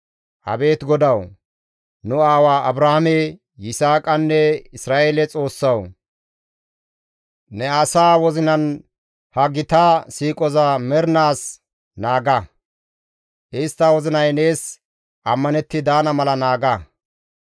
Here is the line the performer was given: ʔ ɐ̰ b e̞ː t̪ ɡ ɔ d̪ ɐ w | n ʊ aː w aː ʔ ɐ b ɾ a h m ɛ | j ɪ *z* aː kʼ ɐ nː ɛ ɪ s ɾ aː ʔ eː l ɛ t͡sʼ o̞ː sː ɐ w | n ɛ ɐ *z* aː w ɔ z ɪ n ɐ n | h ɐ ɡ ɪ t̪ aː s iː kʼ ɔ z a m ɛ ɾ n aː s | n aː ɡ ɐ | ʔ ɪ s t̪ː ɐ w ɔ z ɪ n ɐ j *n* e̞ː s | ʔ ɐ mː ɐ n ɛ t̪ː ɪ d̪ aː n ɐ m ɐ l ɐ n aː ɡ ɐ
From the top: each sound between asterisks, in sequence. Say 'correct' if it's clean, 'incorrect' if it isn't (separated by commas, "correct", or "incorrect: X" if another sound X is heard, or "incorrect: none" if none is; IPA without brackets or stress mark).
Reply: incorrect: s, incorrect: s, correct